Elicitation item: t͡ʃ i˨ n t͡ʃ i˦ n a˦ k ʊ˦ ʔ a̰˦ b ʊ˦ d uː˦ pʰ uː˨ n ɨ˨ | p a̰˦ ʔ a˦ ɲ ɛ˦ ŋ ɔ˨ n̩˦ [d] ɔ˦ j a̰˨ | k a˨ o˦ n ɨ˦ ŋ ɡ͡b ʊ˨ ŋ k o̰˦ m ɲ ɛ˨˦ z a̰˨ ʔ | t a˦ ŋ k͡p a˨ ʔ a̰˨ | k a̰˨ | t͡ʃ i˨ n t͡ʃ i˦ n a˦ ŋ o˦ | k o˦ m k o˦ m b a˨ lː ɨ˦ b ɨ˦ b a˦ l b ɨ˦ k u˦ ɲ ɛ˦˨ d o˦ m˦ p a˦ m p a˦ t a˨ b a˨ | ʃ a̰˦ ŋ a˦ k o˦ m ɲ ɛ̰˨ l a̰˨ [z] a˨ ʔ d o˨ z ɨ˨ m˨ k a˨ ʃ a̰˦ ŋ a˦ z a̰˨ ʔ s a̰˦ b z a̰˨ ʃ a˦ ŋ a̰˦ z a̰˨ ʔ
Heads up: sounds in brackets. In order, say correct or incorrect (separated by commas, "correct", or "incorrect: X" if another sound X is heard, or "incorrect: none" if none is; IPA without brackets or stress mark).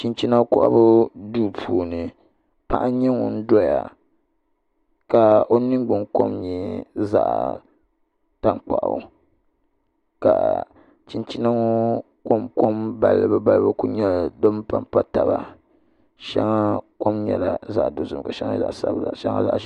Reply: correct, correct